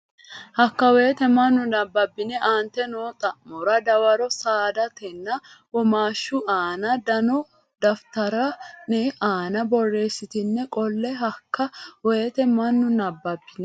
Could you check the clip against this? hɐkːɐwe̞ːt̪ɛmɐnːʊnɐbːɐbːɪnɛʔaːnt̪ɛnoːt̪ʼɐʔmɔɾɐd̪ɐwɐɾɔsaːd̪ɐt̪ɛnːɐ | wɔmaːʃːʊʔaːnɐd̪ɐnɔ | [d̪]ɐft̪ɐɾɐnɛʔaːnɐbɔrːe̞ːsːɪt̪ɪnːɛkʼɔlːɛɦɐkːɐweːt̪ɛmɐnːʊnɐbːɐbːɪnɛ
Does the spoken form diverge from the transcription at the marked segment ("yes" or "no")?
no